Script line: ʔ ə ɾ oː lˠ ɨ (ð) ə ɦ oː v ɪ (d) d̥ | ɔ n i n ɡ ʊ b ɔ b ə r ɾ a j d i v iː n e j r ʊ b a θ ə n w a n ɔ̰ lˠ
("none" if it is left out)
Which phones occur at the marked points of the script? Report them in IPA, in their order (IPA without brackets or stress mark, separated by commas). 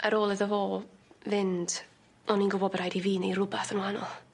ð, n